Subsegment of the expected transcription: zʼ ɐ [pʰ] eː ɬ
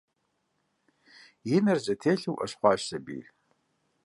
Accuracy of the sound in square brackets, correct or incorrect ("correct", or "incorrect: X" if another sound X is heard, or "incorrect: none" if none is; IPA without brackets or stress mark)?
incorrect: tʰ